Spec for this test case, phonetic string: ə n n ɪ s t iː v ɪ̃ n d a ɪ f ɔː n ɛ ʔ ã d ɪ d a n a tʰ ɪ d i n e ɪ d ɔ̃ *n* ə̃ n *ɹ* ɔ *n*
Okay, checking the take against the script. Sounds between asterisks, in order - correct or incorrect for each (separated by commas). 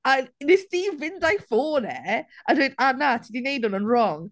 correct, correct, incorrect